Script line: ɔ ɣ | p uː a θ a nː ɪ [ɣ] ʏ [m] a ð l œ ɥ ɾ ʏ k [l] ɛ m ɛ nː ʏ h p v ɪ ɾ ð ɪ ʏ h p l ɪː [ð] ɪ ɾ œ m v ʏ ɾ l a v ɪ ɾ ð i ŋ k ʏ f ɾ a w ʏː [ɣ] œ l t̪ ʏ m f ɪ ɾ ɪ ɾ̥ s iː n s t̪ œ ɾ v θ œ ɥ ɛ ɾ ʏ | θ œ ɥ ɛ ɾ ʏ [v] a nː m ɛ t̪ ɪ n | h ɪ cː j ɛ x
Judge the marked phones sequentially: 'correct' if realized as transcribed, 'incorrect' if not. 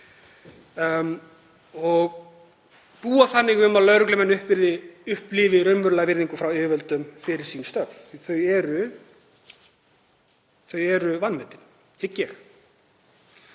correct, correct, correct, incorrect, incorrect, correct

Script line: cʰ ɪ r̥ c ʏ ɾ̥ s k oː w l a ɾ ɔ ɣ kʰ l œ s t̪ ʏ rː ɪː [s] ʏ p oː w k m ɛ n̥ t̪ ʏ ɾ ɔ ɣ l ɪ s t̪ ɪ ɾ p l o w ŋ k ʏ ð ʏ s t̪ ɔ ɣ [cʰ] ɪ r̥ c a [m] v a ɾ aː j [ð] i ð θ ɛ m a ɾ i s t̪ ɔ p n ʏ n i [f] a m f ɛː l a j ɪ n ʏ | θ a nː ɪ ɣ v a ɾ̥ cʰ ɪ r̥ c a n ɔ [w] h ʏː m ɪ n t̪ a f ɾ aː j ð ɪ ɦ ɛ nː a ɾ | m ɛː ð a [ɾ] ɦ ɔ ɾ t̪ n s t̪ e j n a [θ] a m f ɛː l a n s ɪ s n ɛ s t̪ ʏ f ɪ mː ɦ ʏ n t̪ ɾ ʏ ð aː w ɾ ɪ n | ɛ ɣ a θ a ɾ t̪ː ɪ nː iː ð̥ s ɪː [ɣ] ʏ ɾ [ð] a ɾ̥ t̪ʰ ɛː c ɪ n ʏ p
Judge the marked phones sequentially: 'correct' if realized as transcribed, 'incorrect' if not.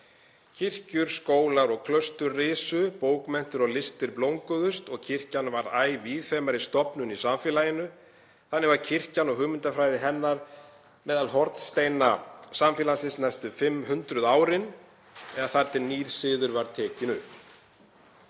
correct, correct, incorrect, incorrect, incorrect, incorrect, incorrect, incorrect, incorrect, incorrect

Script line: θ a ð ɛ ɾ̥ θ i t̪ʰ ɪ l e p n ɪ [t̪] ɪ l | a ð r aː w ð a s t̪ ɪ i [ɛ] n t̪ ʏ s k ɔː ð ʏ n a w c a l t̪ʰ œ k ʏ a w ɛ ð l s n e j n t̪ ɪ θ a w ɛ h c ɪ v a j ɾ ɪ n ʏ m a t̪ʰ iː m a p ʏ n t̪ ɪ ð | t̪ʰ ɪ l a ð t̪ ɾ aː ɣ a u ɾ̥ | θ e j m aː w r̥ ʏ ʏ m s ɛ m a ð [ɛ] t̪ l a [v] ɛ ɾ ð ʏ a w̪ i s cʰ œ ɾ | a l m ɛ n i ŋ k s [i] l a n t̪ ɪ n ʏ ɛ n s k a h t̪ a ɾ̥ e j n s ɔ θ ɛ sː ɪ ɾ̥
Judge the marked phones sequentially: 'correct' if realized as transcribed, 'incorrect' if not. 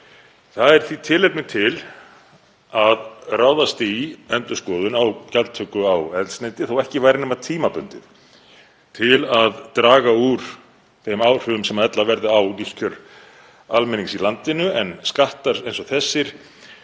incorrect, correct, correct, correct, correct

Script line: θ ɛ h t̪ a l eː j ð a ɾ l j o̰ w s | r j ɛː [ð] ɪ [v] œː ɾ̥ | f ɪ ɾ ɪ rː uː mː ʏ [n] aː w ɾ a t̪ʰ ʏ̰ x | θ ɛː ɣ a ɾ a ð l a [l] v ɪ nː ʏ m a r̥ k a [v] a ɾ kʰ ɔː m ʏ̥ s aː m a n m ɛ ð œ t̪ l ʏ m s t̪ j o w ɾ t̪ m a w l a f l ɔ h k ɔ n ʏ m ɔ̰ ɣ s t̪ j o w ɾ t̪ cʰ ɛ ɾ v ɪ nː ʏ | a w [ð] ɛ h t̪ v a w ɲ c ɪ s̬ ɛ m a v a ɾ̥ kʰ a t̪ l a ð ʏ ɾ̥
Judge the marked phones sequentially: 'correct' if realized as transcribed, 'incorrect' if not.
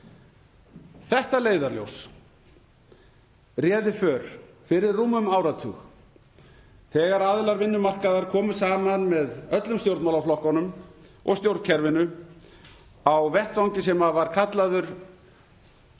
correct, incorrect, incorrect, incorrect, incorrect, incorrect

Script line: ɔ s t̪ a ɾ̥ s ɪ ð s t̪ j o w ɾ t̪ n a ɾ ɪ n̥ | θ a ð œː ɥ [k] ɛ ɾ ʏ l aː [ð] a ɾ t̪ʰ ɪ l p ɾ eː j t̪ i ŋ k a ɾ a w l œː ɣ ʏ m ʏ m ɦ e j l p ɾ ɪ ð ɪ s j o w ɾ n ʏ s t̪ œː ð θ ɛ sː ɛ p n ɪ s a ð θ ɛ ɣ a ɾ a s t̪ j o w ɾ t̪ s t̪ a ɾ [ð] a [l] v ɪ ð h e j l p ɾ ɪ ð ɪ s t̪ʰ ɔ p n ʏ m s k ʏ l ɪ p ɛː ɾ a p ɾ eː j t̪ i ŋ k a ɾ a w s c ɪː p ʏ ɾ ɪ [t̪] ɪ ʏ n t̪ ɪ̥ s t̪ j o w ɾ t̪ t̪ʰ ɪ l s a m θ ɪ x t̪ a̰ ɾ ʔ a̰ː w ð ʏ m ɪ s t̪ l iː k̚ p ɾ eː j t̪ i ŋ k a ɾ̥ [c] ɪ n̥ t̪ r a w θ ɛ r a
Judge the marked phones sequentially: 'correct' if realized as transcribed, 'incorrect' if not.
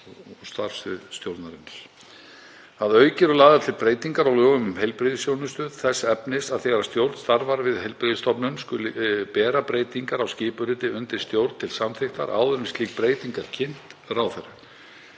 incorrect, correct, incorrect, incorrect, correct, incorrect

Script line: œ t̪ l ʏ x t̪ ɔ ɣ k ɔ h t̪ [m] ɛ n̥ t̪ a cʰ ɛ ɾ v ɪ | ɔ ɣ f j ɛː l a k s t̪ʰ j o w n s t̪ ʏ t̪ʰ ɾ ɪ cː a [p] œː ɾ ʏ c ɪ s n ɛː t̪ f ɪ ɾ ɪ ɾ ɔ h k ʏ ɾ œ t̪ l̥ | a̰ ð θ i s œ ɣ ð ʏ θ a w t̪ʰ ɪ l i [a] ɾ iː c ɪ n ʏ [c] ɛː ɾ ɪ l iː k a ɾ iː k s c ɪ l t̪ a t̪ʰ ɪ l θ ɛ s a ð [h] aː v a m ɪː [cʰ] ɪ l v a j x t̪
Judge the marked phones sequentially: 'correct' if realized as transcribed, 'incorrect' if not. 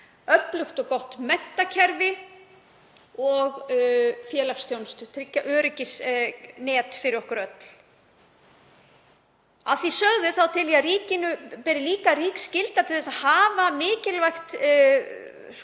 correct, incorrect, correct, incorrect, correct, incorrect

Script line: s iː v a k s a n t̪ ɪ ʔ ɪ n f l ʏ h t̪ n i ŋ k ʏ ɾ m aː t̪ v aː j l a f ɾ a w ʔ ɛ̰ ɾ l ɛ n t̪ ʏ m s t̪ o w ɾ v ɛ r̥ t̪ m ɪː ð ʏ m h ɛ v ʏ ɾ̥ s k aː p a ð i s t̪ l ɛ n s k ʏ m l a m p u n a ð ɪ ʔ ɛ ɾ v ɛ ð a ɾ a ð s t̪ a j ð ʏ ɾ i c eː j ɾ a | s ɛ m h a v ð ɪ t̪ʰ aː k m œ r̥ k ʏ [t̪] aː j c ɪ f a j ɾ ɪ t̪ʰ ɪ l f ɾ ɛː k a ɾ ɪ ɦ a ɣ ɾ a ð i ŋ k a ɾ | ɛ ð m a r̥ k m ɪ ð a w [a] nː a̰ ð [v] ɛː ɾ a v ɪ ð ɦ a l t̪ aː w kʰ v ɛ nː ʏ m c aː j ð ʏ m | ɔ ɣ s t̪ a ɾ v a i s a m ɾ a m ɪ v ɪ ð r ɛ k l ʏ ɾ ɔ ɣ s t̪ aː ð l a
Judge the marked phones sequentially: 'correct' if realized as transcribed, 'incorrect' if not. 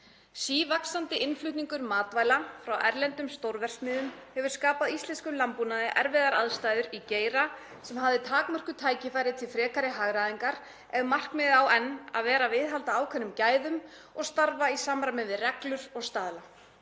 incorrect, incorrect, correct

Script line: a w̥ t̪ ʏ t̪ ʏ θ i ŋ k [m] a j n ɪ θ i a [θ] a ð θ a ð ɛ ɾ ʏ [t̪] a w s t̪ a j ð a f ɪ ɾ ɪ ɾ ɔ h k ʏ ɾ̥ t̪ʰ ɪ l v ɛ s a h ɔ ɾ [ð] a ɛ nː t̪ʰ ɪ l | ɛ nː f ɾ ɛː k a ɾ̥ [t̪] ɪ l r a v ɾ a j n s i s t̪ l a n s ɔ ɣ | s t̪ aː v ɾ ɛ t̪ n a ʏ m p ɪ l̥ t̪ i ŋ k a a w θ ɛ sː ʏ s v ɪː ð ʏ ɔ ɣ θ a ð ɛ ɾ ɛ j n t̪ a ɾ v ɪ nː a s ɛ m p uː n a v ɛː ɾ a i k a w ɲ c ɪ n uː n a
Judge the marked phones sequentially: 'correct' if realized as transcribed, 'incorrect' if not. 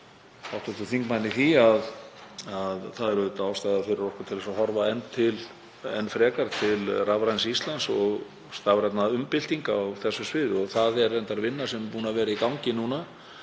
correct, incorrect, correct, incorrect, incorrect

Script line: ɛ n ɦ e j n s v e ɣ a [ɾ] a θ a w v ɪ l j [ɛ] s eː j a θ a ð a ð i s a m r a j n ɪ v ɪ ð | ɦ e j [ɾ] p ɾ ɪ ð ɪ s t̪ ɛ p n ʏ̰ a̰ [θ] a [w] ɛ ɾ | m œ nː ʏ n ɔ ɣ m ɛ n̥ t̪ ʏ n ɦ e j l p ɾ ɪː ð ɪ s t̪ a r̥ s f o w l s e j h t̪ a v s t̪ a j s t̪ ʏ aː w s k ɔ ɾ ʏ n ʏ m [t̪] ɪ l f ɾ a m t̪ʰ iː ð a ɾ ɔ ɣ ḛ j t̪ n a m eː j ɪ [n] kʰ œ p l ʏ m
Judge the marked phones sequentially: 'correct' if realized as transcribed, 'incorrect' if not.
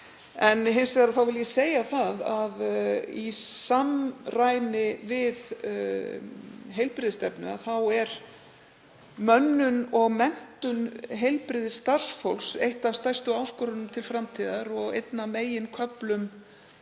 correct, correct, incorrect, correct, correct, incorrect, correct

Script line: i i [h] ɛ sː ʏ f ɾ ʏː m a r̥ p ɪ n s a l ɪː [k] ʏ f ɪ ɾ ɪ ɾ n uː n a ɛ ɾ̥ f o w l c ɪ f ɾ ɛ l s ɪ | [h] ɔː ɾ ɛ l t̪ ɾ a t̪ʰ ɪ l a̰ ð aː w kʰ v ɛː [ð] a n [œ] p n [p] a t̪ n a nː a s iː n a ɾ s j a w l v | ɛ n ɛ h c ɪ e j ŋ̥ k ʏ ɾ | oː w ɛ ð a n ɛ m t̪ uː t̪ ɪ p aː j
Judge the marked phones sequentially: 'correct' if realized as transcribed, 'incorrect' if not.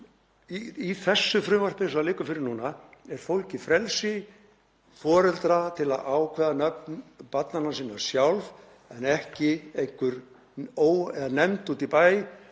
incorrect, correct, incorrect, correct, correct, correct

